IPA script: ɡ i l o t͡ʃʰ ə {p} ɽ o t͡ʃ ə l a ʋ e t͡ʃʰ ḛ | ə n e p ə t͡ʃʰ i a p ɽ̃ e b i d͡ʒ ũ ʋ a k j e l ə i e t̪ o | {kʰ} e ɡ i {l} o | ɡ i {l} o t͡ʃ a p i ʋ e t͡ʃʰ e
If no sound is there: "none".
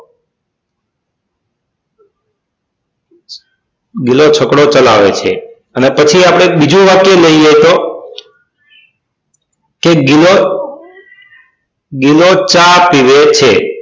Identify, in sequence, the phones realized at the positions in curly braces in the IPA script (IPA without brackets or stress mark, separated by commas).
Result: k, k, l, l